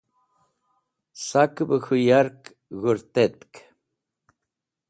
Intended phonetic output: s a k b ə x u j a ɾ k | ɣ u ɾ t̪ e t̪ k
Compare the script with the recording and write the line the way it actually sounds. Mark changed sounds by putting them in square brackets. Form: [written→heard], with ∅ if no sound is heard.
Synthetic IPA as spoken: s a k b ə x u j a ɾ k | ɣ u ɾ t̪ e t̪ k